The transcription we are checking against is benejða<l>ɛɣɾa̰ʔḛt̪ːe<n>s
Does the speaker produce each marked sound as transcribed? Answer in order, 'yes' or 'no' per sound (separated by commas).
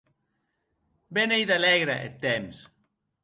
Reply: yes, no